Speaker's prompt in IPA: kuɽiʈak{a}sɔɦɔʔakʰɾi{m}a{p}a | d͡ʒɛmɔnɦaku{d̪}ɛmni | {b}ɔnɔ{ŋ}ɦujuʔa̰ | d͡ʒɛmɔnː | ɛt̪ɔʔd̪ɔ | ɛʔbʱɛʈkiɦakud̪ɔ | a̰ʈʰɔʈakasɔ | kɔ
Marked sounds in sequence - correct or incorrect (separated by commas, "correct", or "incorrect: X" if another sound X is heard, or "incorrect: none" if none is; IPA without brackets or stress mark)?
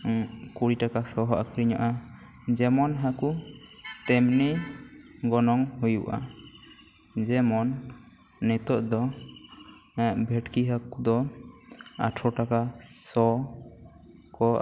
correct, incorrect: ɲ, incorrect: ʔ, incorrect: t̪, incorrect: ɡ, correct